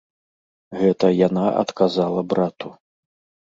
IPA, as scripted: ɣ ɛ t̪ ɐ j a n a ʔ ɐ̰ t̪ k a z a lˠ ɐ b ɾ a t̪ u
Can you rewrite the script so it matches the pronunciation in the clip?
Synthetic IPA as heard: ɣ ɛ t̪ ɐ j a n a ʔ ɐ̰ t̪ k a z a lˠ ɐ b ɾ a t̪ u

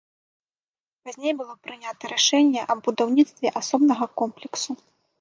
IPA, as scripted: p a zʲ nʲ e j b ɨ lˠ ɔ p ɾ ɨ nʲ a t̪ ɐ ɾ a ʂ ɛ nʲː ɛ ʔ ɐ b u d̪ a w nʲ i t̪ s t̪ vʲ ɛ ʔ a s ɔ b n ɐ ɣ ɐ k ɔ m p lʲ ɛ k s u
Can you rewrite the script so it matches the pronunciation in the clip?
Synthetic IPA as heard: p a zʲ nʲ e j b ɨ lˠ ɔ p ɾ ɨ nʲ a t̪ ɐ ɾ a ʂ ɛ nʲː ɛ ʔ ɐ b u d̪ a w nʲ i t̪ s t̪ vʲ ɛ ʔ a s ɔ b n ɐ ɣ ɐ k ɔ m p lʲ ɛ k s u

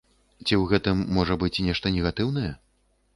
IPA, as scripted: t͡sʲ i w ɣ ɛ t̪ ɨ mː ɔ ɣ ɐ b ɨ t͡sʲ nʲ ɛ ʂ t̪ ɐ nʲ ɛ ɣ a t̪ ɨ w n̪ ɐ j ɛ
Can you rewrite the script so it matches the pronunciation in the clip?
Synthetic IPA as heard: t͡sʲ i w ɣ ɛ t̪ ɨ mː ɔ ʐ ɐ b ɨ t͡sʲ nʲ ɛ ʂ t̪ ɐ nʲ ɛ ɣ a t̪ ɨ w n̪ ɐ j ɛ

